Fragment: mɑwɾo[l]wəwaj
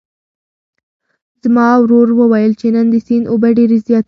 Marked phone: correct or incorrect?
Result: incorrect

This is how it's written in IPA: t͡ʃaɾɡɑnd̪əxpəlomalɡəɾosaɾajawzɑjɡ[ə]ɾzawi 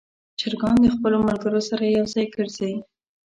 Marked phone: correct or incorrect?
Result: correct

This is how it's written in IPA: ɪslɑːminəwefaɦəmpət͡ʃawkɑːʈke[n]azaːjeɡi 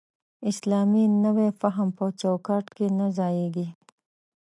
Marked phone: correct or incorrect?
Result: correct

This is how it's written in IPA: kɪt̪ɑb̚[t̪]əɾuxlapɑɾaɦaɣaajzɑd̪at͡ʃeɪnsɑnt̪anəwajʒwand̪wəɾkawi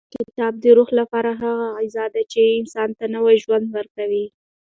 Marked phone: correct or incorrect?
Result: incorrect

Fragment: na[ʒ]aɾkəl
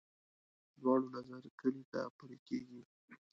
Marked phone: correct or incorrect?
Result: incorrect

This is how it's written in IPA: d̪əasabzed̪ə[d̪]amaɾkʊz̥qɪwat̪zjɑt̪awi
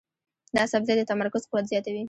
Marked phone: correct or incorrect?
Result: incorrect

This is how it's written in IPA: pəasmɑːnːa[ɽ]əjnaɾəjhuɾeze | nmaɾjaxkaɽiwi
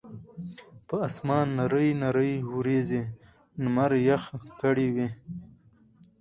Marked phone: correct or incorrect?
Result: incorrect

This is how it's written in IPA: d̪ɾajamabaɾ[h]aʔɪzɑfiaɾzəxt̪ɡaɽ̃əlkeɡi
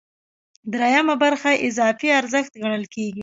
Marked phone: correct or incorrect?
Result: incorrect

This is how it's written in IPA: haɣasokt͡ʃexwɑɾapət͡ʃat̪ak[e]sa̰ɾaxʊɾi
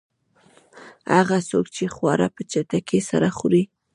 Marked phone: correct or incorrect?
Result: correct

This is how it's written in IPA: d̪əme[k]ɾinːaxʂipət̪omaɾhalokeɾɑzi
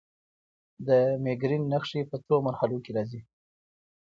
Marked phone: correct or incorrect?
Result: incorrect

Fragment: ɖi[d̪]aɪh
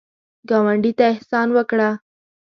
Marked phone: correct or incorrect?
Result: incorrect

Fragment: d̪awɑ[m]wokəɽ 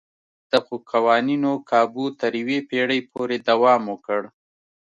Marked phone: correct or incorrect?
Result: correct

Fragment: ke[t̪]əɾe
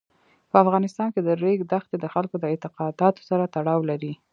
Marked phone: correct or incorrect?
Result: incorrect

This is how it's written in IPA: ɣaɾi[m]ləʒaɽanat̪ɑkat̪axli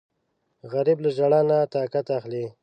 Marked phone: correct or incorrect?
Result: incorrect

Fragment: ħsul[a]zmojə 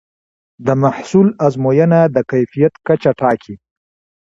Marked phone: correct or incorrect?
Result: correct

